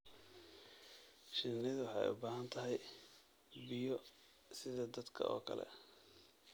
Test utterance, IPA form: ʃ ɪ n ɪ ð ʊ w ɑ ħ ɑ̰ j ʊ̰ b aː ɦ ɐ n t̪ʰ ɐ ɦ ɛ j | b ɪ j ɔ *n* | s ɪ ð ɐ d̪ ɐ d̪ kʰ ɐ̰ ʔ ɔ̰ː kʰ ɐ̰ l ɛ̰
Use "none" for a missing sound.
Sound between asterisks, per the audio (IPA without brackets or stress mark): none